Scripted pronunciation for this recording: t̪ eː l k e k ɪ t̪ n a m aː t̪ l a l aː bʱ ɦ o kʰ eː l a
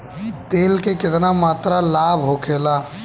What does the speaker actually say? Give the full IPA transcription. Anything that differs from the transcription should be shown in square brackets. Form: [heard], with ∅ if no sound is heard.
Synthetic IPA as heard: t̪ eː l k e k ɪ t̪ n a m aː t̪ [ɾ] a l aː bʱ ɦ o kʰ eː l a